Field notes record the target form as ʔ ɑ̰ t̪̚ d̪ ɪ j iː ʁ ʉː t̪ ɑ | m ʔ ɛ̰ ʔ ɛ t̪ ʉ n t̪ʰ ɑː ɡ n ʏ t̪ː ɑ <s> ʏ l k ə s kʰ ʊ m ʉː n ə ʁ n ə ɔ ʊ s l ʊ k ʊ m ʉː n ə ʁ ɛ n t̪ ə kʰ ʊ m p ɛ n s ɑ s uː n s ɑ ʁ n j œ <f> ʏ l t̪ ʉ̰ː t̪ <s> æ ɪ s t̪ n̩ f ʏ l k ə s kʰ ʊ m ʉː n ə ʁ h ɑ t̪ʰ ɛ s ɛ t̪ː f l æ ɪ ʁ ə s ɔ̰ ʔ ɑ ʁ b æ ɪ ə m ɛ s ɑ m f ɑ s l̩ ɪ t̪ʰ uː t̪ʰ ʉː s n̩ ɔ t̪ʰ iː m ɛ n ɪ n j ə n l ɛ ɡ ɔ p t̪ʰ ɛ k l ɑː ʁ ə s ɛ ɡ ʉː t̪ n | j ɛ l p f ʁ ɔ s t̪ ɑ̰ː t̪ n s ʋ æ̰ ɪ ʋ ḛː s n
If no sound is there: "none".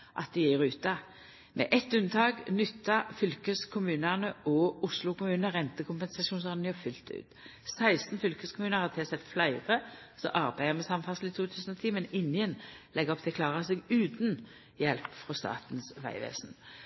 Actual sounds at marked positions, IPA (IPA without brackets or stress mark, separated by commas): f, f, s